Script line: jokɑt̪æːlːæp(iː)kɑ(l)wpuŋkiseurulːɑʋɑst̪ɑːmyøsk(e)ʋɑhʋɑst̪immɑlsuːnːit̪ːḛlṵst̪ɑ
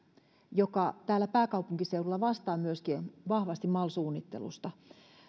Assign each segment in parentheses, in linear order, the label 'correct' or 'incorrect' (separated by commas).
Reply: incorrect, incorrect, incorrect